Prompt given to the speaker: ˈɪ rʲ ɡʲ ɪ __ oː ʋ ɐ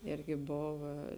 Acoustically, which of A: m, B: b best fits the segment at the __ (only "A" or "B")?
B